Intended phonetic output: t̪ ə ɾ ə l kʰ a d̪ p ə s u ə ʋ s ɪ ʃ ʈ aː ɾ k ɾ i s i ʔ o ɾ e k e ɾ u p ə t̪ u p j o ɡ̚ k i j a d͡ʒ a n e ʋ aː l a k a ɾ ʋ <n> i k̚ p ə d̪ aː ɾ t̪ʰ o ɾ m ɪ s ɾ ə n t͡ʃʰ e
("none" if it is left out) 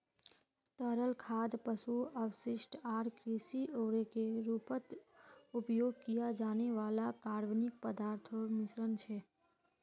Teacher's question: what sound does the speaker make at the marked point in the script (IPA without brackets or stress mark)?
n